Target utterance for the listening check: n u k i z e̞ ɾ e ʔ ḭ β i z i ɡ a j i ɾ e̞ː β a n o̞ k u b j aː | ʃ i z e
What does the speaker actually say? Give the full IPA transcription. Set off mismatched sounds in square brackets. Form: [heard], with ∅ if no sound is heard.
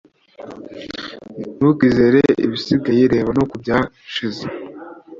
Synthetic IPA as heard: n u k i z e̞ ɾ e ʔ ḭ β i [s] i ɡ a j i ɾ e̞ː β a n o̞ k u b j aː | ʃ i z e